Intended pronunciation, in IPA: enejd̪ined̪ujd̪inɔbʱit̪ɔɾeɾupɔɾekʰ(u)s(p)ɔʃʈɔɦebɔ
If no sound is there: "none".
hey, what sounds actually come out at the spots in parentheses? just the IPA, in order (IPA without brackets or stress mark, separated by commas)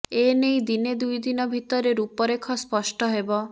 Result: ɔ, p